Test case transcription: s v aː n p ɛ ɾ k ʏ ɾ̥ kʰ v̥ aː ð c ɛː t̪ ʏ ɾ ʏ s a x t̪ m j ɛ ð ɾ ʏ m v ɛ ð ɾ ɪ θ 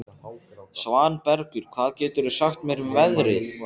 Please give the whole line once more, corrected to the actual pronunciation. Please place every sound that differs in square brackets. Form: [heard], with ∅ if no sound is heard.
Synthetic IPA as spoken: s v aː n p ɛ ɾ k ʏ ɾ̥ kʰ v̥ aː ð c ɛː t̪ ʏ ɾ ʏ s a x t̪ m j ɛ [∅] ɾ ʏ m v ɛ ð ɾ ɪ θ